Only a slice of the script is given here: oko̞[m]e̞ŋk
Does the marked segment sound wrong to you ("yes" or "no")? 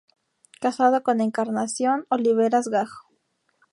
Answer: yes